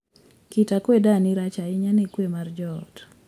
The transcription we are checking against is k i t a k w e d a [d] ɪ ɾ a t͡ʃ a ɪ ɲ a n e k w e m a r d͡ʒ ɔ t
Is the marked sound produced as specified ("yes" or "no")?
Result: no